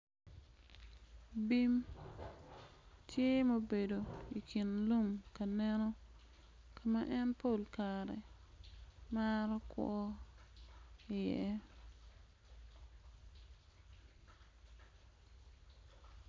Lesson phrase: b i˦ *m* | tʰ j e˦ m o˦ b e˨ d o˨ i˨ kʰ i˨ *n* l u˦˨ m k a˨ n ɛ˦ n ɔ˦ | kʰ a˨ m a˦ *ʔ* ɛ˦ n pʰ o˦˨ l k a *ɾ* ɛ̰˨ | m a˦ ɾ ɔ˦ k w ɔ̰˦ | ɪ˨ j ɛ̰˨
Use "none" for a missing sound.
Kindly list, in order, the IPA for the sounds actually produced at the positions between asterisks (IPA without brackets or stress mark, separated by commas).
m, n, ʔ, ɾ